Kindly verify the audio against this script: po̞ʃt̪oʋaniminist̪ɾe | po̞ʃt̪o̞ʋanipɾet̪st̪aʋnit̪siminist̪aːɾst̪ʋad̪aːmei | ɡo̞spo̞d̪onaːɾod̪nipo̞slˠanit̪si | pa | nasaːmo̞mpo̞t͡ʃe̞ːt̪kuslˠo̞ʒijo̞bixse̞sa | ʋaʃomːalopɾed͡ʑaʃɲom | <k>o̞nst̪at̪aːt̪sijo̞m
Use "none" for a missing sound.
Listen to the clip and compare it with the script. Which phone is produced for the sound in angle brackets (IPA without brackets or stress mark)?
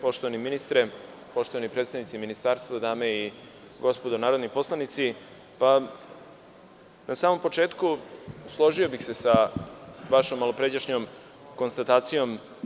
k